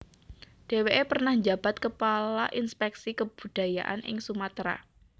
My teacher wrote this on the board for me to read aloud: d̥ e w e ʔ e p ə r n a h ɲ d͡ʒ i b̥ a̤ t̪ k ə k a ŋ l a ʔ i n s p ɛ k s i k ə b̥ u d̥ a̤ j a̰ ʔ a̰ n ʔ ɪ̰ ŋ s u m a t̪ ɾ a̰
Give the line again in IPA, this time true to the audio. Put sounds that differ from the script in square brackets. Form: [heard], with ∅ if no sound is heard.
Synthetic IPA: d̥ e w e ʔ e p ə r n a h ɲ d͡ʒ [a] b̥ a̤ t̪ k ə [p] a [∅] l a ʔ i n s p ɛ k s i k ə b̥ u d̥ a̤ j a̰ ʔ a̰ n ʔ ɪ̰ ŋ s u m a t̪ ɾ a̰